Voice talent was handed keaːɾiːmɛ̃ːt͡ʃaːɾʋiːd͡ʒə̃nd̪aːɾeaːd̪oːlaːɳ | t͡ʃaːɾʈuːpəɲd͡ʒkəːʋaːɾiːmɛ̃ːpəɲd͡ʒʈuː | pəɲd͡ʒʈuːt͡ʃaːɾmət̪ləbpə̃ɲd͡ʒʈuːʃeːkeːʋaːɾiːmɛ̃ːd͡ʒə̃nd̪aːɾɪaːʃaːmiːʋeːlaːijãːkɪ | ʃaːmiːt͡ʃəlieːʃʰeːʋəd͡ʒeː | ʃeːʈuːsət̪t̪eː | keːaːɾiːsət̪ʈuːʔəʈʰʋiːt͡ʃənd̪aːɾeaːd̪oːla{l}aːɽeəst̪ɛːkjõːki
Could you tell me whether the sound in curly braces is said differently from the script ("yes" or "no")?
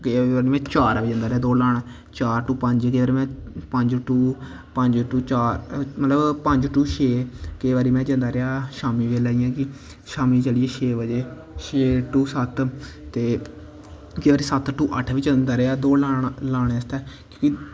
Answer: no